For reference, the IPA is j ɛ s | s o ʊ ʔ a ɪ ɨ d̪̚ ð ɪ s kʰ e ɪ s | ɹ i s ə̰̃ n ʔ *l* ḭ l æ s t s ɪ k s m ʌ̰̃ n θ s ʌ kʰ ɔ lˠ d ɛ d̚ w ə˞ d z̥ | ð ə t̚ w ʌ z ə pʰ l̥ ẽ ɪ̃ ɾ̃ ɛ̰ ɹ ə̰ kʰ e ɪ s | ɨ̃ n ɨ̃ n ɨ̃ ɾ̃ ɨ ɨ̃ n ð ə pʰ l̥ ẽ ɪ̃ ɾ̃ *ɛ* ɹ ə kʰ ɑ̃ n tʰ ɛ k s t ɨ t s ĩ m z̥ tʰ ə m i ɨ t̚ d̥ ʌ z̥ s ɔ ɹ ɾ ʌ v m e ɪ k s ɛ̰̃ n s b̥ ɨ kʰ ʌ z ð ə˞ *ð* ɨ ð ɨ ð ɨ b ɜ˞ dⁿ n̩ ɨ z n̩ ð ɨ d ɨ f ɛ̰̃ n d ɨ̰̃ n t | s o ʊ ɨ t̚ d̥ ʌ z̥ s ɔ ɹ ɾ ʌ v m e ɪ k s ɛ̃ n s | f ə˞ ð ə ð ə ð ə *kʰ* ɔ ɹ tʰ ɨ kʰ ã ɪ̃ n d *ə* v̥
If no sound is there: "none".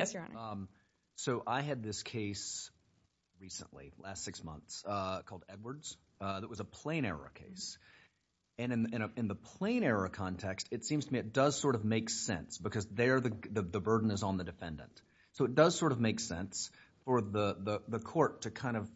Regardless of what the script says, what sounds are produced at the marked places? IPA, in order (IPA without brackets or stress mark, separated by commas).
l, ɛ, ð, kʰ, ʌ